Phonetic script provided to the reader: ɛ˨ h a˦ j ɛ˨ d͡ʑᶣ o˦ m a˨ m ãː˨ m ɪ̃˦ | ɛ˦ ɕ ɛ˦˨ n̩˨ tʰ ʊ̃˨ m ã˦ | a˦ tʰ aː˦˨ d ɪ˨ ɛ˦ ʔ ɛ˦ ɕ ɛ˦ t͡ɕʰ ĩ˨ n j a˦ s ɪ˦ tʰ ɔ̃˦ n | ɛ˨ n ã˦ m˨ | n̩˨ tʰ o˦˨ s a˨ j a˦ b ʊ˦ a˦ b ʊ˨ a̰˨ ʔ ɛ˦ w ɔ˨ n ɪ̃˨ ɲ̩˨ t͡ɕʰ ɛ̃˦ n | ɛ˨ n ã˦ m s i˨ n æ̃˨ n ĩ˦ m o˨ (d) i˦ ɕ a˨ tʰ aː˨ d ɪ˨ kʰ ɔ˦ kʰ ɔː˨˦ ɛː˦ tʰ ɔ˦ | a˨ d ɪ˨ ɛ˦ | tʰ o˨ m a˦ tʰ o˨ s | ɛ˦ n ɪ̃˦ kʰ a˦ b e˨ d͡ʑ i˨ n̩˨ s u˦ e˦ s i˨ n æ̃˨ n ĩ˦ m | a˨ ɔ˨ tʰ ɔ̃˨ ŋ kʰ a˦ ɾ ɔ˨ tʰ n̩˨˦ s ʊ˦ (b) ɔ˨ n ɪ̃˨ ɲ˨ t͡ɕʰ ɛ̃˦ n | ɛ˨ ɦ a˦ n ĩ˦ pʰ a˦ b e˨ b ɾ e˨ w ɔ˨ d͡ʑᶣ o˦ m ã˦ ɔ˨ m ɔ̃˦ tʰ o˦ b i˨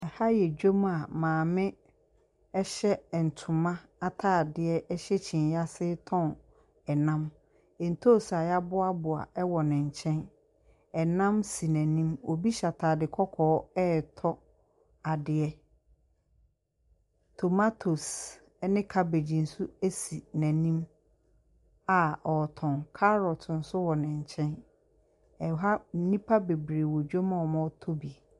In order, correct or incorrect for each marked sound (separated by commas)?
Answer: incorrect, incorrect